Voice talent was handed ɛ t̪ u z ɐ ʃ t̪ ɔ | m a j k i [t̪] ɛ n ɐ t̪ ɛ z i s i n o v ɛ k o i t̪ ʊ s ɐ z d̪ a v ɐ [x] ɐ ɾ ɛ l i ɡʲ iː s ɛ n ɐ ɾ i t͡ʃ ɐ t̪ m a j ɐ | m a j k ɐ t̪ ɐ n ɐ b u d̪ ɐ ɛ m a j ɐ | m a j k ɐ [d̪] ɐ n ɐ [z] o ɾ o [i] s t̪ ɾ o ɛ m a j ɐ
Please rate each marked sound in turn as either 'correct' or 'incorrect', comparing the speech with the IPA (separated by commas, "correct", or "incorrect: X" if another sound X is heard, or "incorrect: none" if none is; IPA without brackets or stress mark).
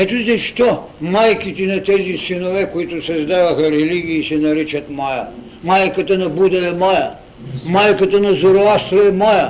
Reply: correct, correct, incorrect: t̪, correct, incorrect: a